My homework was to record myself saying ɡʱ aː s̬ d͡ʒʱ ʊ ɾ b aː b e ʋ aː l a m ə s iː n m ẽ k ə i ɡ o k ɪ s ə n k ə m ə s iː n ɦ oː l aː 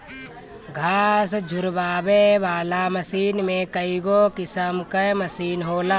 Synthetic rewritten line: ɡʱ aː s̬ d͡ʒʱ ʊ ɾ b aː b e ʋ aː l a m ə s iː n m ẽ k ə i ɡ o k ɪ s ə m k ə m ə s iː n ɦ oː l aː